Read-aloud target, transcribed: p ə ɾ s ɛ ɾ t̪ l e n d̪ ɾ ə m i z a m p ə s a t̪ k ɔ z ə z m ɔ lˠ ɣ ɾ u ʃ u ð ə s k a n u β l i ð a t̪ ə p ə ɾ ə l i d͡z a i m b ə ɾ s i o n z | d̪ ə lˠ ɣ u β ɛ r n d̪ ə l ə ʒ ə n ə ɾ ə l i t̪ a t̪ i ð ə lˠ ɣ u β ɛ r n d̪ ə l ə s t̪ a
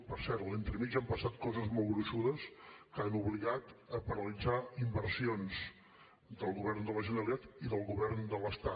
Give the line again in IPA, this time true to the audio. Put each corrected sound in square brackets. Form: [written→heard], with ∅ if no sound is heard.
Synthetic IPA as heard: p ə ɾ s ɛ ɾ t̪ l e n [d̪→t̪] ɾ ə m i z a m p ə s a t̪ k ɔ z ə z m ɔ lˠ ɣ ɾ u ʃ u ð ə s k a n u β l i [ð→ɣ] a t̪ ə p ə ɾ ə l i d͡z a i m b ə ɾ s i o n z | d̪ ə lˠ ɣ u β ɛ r n d̪ ə l ə ʒ ə n ə ɾ ə l i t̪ a t̪ i ð ə lˠ ɣ u β ɛ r n d̪ ə l ə s t̪ a